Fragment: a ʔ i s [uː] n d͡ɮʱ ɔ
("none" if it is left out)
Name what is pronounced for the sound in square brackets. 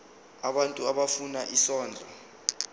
ɔː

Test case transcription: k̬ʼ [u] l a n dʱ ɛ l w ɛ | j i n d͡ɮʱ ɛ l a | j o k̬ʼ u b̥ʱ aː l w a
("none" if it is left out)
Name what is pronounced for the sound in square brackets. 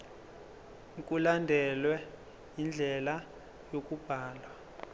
u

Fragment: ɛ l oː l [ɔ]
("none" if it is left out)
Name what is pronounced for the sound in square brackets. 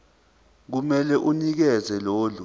u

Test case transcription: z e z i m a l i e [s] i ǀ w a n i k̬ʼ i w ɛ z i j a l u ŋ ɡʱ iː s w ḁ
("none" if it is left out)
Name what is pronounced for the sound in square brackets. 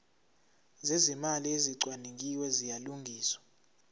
z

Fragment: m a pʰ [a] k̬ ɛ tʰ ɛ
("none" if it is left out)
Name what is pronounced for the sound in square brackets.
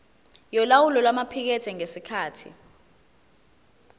i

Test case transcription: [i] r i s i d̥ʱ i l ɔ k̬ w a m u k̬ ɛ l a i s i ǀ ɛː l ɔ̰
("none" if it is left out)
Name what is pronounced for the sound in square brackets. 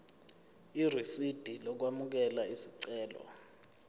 i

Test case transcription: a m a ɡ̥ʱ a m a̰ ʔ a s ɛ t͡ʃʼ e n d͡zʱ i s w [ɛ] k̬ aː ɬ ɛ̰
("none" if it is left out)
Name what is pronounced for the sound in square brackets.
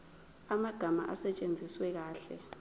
ɛ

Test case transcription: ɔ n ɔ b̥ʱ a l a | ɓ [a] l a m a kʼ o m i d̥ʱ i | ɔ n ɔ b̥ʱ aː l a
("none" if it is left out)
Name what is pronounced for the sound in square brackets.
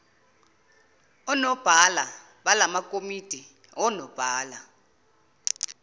a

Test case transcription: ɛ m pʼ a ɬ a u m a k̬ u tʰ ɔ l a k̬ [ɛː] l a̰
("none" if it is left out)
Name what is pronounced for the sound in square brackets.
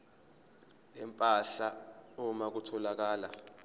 aː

